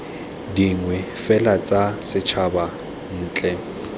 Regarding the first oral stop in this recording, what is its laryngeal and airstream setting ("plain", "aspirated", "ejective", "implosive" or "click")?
plain